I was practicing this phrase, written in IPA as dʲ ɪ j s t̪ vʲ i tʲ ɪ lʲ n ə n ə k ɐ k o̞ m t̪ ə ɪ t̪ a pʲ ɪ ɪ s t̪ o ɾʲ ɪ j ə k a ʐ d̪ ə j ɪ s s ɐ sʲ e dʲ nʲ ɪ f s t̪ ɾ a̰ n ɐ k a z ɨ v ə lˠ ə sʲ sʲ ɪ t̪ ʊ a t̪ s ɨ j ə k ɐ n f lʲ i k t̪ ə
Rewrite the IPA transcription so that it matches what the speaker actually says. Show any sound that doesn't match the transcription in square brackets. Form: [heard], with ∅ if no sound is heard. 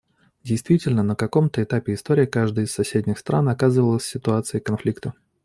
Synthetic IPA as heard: dʲ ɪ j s t̪ vʲ i tʲ ɪ lʲ n ə n ə k ɐ k o̞ m t̪ ə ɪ t̪ a pʲ ɪ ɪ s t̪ o ɾʲ ɪ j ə k a ʐ d̪ ə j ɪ s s ɐ sʲ e dʲ nʲ ɪ [x] s t̪ ɾ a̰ n ɐ k a z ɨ v ə lˠ ə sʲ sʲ ɪ t̪ ʊ a t̪ s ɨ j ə k ɐ n f lʲ i k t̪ ə